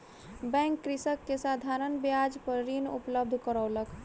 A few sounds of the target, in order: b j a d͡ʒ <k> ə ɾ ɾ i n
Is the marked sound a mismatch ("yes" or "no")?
yes